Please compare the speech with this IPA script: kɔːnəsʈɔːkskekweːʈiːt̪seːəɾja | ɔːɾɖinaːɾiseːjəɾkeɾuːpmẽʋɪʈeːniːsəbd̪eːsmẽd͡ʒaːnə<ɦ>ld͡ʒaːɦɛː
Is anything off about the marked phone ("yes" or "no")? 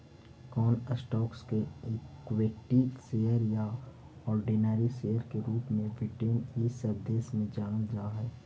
yes